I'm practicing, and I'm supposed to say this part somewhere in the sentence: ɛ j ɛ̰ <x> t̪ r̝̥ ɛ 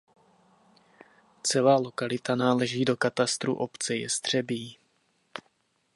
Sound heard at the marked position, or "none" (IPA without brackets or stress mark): s